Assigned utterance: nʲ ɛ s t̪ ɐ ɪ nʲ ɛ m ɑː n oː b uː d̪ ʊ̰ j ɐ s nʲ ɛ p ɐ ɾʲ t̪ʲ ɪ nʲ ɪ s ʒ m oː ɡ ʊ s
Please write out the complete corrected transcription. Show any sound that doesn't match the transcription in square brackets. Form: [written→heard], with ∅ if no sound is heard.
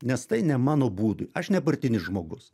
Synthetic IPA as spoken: nʲ ɛ s t̪ ɐ ɪ nʲ ɛ m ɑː n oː b uː d̪ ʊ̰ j ɐ [s→ʃ] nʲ ɛ p ɐ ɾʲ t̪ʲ ɪ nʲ ɪ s ʒ m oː ɡ ʊ s